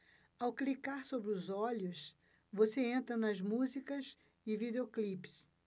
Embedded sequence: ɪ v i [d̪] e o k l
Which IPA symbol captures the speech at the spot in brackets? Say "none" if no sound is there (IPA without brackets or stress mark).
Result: d̪